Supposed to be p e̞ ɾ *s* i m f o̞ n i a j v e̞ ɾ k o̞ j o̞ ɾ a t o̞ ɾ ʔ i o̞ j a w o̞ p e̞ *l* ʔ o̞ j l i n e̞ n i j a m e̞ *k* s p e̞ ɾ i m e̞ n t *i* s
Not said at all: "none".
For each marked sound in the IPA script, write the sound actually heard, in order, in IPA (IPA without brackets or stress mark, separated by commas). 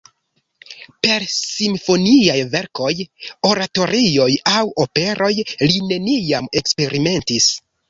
s, ɾ, k, i